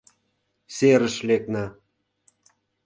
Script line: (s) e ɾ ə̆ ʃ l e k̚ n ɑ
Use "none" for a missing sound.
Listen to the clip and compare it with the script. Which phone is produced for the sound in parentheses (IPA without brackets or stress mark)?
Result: s